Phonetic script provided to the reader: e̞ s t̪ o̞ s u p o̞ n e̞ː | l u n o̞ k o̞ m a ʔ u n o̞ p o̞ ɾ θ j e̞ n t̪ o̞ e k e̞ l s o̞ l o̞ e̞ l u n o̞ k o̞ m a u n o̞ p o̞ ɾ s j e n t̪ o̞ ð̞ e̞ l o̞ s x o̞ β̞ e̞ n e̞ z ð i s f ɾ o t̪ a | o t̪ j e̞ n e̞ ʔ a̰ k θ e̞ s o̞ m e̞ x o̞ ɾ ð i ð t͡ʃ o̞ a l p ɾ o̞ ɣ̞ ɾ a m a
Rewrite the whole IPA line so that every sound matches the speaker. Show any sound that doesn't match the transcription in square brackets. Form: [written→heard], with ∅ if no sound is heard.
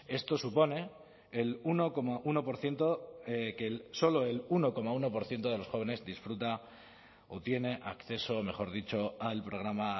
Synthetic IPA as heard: e̞ s t̪ o̞ s u p o̞ n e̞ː | l u n o̞ k o̞ m a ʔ u n o̞ p o̞ ɾ θ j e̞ n t̪ o̞ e k e̞ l s o̞ l o̞ e̞ l u n o̞ k o̞ m a u n o̞ p o̞ ɾ [s→θ] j e n t̪ o̞ ð̞ e̞ l o̞ s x o̞ β̞ e̞ n e̞ z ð i s f ɾ [o→u] t̪ a | o t̪ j e̞ n e̞ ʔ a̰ k θ e̞ s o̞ m e̞ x o̞ ɾ ð i [ð→∅] t͡ʃ o̞ a l p ɾ o̞ ɣ̞ ɾ a m a